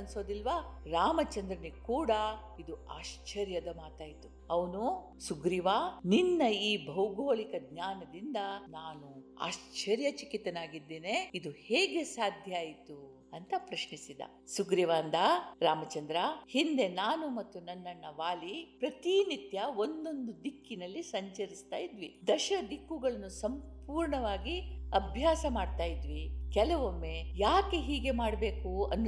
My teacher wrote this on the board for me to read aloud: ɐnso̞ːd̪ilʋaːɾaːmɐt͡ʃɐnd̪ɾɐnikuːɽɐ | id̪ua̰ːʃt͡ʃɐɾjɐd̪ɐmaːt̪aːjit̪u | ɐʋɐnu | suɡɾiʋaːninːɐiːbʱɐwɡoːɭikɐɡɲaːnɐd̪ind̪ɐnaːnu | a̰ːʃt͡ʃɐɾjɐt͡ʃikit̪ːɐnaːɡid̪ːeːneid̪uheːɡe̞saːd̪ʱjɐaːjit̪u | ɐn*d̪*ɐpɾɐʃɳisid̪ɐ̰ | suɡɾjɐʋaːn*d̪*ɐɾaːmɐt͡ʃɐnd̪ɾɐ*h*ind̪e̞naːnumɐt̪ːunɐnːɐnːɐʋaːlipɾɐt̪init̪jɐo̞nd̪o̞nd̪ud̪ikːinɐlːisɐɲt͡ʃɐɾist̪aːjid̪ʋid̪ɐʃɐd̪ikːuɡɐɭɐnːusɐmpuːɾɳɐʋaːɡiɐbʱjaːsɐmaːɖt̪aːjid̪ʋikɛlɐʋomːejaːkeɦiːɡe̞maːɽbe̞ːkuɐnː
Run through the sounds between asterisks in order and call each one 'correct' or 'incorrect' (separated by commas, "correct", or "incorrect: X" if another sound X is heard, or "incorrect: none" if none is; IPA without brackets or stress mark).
incorrect: t̪, correct, correct